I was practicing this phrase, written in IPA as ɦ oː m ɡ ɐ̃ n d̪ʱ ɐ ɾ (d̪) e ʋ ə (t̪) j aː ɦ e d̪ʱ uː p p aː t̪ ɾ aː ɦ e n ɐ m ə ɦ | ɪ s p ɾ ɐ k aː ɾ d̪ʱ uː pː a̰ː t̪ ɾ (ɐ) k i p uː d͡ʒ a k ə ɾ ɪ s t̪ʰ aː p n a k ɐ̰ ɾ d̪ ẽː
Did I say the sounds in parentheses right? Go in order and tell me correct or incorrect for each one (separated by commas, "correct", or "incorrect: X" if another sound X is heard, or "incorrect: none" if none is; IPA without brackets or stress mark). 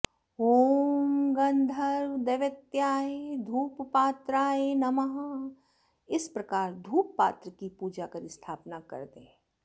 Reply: correct, correct, incorrect: ə